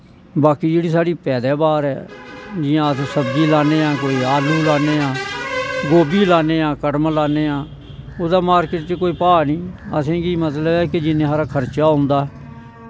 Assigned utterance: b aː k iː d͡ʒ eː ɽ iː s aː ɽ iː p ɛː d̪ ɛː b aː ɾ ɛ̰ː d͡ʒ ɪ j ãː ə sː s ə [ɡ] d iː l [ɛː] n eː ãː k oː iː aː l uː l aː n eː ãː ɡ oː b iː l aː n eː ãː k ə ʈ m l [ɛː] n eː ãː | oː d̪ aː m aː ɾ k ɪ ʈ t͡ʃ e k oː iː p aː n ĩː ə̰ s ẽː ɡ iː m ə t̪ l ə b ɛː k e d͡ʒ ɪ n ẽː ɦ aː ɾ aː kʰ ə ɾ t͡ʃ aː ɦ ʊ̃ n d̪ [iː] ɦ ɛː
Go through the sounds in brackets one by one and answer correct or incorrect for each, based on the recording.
incorrect, incorrect, incorrect, incorrect

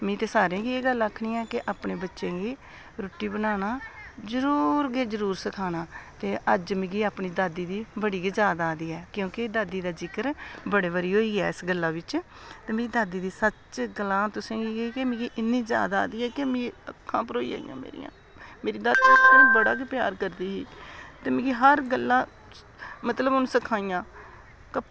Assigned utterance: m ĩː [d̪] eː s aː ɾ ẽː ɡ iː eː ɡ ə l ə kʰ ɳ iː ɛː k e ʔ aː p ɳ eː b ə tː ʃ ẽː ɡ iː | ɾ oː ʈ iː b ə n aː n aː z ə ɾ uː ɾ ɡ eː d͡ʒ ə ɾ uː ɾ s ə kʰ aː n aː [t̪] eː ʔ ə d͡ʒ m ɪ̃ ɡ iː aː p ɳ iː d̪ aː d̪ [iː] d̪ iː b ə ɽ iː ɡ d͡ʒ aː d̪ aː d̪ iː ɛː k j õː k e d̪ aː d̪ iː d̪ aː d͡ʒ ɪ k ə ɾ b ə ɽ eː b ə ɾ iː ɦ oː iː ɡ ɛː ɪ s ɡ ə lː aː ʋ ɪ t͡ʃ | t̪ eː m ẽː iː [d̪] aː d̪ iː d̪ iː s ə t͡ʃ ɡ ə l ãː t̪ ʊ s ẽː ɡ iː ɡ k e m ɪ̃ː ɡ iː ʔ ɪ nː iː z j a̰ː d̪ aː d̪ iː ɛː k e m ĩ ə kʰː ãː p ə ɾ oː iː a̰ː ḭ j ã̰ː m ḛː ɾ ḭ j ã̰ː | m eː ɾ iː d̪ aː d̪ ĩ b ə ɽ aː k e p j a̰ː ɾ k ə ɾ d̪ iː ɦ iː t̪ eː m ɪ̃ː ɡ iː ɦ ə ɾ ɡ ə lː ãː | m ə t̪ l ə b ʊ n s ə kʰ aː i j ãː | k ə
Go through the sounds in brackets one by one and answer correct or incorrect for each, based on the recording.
incorrect, correct, correct, correct

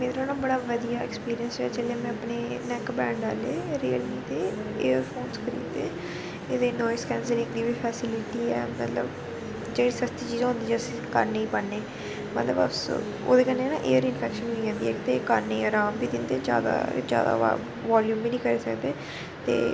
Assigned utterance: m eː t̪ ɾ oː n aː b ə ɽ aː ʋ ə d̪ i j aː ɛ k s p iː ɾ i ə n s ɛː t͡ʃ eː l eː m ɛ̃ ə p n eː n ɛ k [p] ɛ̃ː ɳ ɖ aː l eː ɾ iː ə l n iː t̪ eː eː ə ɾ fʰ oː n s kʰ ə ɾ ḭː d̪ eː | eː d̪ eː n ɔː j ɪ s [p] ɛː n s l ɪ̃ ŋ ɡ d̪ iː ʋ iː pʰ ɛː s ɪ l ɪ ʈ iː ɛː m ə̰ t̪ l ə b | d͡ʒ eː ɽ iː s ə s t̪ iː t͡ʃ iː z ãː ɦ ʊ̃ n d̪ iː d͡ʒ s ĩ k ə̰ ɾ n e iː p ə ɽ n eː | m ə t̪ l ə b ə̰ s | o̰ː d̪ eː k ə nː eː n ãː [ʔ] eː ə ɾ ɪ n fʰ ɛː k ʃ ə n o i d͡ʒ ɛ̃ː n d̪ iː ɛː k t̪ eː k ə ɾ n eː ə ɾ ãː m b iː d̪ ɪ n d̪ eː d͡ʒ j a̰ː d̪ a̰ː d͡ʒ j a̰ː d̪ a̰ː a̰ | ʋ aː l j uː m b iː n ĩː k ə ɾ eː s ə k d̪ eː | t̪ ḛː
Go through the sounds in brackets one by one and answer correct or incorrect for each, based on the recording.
incorrect, incorrect, correct

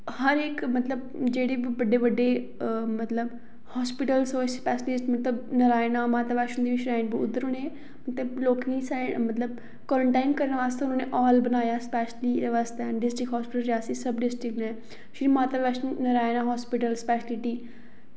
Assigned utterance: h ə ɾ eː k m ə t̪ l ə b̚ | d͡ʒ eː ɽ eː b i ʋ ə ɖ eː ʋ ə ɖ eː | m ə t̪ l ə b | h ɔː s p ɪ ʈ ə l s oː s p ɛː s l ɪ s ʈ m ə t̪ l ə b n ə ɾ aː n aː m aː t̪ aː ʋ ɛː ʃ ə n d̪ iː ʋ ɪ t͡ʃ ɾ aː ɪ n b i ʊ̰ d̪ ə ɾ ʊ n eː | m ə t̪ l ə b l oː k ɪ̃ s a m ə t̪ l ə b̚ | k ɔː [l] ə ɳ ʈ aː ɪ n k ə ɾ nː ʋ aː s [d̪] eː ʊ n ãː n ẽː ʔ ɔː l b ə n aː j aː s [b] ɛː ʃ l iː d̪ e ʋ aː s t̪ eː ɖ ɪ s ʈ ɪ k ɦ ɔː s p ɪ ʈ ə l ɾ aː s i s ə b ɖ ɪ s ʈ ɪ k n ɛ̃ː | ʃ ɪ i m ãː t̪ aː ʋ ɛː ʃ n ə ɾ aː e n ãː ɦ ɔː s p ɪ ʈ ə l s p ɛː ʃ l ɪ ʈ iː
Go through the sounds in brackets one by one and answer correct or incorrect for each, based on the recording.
incorrect, incorrect, incorrect

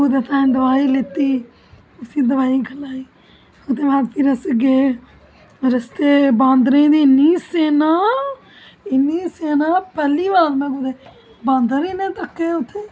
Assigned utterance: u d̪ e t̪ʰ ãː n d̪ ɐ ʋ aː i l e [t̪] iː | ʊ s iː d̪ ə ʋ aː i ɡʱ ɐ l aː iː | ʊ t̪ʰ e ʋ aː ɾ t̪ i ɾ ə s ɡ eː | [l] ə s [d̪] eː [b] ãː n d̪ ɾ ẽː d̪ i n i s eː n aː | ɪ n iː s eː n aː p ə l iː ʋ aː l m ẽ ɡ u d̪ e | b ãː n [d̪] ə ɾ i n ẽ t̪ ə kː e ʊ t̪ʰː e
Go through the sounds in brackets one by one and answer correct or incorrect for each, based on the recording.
correct, incorrect, incorrect, correct, correct

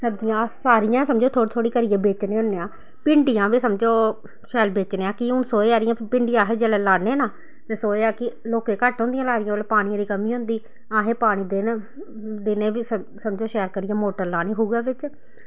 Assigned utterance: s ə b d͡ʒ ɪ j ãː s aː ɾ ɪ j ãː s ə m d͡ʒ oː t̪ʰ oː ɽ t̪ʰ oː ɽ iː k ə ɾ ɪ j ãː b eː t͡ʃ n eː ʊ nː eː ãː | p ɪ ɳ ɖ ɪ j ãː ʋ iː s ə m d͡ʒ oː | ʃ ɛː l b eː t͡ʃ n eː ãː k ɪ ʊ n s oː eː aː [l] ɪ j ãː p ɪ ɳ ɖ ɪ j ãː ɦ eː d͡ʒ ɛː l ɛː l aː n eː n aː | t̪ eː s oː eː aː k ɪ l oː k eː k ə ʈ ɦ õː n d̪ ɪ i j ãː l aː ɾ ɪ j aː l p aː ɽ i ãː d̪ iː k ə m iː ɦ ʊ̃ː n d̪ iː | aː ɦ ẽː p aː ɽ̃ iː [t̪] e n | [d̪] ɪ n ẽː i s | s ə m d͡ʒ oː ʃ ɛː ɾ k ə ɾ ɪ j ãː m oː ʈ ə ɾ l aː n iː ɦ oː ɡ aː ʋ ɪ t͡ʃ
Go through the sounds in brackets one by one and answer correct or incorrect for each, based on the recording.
incorrect, incorrect, correct

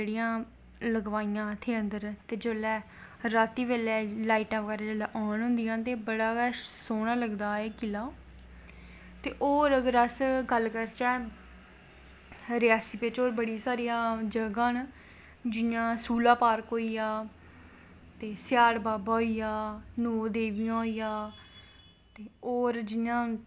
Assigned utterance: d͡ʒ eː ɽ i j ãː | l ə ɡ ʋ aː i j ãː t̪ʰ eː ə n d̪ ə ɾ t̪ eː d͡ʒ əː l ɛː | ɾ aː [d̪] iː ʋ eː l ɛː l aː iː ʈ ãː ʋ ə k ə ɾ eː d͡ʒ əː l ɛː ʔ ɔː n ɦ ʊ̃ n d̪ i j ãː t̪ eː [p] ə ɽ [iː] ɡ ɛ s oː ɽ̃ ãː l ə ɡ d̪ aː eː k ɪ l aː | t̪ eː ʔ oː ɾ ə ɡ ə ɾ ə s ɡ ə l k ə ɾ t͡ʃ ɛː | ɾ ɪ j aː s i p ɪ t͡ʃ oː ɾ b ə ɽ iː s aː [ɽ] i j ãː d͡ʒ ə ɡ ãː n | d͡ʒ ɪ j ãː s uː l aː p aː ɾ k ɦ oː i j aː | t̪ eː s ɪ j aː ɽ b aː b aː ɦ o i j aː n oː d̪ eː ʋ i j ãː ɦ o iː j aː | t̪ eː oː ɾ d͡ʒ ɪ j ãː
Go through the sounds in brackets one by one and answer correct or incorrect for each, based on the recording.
incorrect, incorrect, incorrect, incorrect

